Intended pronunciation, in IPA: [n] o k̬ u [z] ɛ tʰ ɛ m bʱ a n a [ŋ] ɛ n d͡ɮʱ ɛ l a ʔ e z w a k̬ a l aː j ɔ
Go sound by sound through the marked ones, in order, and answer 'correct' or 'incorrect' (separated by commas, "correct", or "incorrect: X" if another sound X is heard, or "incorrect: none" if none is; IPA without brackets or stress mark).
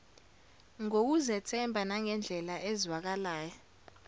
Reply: incorrect: ŋ, correct, correct